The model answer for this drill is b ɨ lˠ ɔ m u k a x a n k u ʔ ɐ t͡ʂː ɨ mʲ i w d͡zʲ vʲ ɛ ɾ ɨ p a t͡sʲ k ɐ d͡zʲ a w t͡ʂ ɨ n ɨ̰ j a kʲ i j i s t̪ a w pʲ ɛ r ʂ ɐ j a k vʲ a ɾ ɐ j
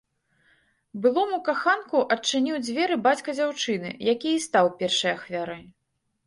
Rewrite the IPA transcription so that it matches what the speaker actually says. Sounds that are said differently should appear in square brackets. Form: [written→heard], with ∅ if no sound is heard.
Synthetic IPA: b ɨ lˠ ɔ m u k a x a n k u ʔ ɐ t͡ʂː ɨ [mʲ→nʲ] i w d͡zʲ vʲ ɛ ɾ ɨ [p→b] a t͡sʲ k ɐ d͡zʲ a w t͡ʂ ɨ n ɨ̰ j a kʲ i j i s t̪ a w pʲ ɛ r ʂ ɐ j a [k→x] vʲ a ɾ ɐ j